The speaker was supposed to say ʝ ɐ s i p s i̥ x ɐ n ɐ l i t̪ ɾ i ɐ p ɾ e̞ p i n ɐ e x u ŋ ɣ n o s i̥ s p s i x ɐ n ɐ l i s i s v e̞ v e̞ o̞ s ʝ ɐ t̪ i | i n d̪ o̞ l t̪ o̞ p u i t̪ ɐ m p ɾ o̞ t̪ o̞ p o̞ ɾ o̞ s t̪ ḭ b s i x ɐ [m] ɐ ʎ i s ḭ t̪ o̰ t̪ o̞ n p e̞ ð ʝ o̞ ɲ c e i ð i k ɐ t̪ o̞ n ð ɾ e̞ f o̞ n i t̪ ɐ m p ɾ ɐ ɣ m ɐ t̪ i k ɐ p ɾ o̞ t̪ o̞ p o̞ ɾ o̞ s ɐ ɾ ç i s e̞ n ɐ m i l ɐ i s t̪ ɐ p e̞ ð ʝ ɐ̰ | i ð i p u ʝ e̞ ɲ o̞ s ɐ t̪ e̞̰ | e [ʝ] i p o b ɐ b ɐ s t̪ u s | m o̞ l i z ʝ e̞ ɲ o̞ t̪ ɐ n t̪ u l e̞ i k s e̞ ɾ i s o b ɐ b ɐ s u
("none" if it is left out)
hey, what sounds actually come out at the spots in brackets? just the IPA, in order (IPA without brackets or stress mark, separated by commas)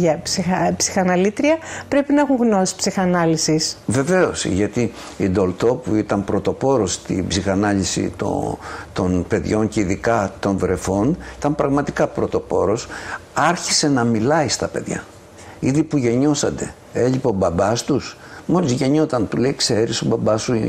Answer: n, ʎ